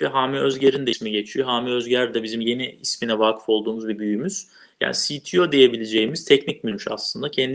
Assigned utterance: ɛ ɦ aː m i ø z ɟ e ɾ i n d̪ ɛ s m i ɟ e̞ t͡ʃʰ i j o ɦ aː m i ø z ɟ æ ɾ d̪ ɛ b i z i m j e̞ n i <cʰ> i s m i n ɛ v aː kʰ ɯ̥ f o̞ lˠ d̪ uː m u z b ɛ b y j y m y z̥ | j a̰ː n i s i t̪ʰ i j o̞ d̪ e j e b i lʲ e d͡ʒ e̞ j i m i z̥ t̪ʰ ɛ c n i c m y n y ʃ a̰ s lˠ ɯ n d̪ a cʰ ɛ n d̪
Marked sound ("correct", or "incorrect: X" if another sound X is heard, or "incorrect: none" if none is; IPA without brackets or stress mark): incorrect: none